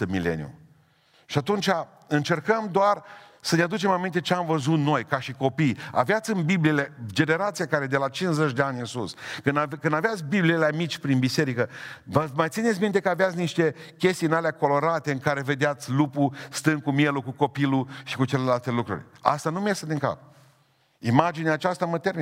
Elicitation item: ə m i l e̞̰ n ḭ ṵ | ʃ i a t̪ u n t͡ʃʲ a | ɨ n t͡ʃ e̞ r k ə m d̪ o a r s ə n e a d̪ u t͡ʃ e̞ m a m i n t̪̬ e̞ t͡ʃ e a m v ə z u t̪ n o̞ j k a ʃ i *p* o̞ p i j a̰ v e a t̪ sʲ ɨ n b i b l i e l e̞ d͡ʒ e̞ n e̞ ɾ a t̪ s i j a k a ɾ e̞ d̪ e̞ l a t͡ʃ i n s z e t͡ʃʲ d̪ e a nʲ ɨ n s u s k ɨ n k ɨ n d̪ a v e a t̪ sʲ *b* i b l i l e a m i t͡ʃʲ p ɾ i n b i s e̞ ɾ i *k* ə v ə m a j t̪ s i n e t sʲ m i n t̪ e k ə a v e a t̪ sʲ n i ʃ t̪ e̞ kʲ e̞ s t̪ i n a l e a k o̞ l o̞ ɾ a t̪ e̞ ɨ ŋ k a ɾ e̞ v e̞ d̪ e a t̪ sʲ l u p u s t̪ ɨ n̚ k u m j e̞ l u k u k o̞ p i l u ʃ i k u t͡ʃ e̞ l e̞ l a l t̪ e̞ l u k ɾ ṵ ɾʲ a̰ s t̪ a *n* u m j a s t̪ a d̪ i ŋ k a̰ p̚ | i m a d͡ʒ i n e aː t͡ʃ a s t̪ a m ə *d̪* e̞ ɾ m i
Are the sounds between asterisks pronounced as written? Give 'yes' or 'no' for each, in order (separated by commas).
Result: no, yes, yes, yes, no